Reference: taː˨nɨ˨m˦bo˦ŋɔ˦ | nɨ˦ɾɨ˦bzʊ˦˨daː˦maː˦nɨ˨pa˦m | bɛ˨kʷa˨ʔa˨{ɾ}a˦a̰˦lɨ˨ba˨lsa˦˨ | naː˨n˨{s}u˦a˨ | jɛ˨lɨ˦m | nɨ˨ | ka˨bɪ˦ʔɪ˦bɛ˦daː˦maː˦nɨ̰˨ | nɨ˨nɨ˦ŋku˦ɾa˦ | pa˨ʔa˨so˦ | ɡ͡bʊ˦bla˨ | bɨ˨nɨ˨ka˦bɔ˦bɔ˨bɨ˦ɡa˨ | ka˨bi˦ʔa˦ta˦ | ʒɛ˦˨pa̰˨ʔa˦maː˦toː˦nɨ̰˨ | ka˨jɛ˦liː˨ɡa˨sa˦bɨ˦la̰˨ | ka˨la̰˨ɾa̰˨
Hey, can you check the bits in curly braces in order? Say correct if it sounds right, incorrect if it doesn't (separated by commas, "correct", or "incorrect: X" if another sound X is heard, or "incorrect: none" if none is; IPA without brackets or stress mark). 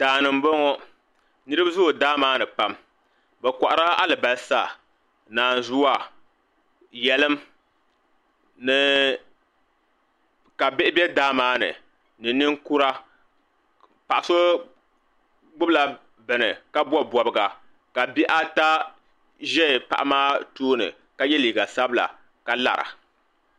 correct, incorrect: z